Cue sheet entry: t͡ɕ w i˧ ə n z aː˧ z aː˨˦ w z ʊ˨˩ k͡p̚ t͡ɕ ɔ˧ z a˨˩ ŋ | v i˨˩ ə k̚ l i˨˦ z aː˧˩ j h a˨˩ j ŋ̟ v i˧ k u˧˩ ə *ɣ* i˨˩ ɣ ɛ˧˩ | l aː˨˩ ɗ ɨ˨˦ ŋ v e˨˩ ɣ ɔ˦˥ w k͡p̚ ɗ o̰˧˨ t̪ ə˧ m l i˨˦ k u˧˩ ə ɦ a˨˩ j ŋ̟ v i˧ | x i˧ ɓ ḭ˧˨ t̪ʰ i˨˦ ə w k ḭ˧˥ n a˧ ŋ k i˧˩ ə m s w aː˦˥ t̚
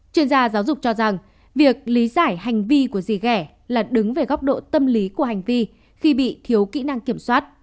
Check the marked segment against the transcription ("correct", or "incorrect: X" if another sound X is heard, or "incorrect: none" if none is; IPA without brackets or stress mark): incorrect: z